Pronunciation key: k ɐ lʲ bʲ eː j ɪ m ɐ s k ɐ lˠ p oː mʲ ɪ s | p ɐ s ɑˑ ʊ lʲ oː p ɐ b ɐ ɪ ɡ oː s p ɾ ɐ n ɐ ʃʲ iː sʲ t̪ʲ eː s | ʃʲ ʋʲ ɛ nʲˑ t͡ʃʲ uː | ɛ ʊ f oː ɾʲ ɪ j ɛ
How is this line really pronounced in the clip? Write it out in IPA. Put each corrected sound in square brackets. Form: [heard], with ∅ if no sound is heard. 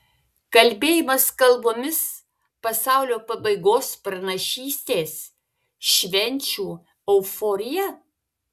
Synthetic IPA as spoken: k ɐ lʲ bʲ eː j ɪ m ɐ s k ɐ lˠ [b] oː mʲ ɪ s | p ɐ s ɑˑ ʊ lʲ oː p ɐ b ɐ ɪ ɡ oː s p ɾ ɐ n ɐ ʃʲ iː sʲ t̪ʲ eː s | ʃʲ ʋʲ ɛ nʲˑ t͡ʃʲ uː | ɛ ʊ f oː ɾʲ ɪ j ɛ